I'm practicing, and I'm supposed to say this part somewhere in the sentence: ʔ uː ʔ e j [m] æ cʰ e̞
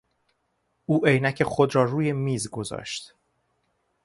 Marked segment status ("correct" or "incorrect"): incorrect